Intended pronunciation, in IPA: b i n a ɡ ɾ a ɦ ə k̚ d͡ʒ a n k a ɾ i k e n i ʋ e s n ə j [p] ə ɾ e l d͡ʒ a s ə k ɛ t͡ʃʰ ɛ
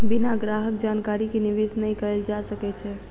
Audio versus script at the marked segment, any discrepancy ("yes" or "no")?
yes